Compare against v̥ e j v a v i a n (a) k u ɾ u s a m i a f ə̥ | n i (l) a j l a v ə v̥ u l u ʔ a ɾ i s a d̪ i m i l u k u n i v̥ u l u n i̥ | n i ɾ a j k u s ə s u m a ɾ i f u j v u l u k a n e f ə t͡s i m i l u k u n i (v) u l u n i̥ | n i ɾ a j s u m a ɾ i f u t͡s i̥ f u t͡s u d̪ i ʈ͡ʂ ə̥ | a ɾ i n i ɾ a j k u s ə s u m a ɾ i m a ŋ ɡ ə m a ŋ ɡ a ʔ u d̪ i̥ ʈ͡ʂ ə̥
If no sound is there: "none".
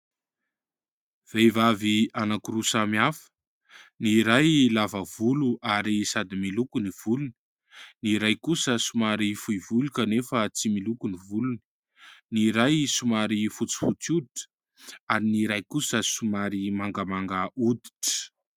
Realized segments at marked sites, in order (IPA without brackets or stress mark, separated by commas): a, ɾ, v